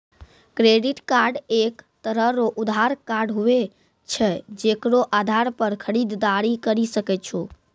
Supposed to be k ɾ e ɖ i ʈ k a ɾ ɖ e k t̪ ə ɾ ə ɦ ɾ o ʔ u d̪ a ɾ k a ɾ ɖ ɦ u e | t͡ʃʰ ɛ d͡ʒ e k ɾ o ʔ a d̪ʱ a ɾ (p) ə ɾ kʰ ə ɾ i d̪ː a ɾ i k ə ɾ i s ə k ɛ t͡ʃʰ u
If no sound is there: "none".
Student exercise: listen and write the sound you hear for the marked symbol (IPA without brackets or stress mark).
p